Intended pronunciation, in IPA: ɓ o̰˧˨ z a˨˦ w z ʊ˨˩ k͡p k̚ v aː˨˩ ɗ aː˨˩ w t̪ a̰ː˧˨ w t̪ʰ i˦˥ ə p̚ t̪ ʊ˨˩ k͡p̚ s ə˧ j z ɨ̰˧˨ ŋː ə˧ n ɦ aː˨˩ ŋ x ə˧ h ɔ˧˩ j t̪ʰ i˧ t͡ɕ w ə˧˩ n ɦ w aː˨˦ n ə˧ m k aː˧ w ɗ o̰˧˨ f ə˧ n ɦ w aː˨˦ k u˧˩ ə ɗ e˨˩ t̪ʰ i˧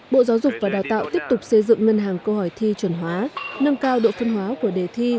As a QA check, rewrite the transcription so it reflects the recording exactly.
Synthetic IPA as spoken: ɓ o̰˧˨ z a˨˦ w z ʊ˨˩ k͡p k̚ v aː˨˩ ɗ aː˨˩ w t̪ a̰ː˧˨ w t̪ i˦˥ ə p̚ t̪ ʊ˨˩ k͡p̚ s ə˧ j z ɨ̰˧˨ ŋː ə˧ n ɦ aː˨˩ ŋ k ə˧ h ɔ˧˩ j t̪ʰ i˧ t͡ɕ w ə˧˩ n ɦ w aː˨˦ n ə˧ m k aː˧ w ɗ o̰˧˨ f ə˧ n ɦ w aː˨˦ k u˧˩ ə ɗ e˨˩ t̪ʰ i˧